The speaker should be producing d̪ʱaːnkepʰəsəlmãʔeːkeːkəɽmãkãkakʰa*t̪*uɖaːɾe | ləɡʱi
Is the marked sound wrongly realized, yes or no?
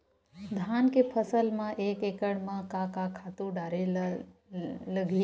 no